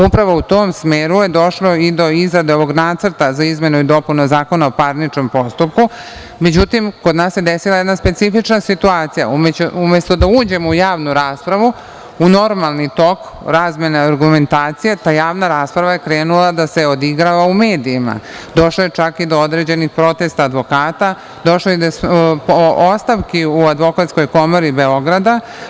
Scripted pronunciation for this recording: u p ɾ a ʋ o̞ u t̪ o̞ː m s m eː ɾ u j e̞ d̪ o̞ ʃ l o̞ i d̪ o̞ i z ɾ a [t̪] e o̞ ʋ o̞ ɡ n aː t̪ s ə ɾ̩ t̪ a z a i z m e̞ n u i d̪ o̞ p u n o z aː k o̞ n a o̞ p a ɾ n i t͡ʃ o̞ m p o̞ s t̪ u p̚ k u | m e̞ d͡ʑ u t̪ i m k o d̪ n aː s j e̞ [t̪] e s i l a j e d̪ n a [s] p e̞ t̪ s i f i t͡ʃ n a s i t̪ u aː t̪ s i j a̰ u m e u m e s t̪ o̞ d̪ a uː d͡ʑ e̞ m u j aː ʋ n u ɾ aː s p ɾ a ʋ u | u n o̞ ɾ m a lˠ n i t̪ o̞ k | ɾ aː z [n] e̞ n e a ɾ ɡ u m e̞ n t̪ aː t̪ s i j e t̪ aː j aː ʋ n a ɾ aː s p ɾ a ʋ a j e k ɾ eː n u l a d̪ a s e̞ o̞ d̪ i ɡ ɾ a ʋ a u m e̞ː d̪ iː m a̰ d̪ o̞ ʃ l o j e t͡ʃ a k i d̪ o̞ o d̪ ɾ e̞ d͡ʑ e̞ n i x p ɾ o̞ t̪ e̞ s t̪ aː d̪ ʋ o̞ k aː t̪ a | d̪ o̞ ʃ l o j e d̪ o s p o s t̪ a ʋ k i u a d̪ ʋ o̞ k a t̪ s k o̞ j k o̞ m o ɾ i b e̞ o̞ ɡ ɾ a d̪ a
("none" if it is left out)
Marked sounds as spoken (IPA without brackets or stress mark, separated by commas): d̪, d̪, s, m